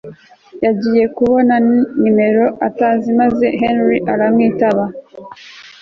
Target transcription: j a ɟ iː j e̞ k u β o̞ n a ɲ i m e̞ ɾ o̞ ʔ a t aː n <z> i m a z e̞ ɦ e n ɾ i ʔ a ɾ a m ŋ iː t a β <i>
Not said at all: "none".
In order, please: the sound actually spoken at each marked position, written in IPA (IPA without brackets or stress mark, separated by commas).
z, a